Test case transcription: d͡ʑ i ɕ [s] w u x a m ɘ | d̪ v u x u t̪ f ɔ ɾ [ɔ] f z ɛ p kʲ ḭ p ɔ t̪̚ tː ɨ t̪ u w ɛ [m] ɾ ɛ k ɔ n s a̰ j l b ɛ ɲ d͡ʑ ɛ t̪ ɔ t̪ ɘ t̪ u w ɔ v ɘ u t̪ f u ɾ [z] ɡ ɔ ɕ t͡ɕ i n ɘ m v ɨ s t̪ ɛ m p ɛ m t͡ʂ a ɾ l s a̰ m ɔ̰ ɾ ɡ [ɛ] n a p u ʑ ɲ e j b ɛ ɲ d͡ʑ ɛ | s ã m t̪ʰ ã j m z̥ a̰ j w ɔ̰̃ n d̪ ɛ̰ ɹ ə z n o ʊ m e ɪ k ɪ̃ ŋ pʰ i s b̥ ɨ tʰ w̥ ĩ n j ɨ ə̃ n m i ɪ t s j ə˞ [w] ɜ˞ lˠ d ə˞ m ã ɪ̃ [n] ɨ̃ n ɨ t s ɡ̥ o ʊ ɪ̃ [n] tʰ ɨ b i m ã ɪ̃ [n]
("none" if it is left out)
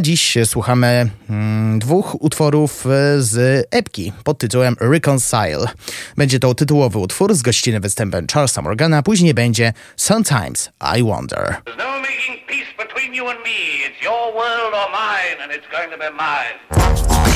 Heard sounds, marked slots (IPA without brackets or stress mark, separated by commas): s, u, m, z, a, w, n, ŋ, n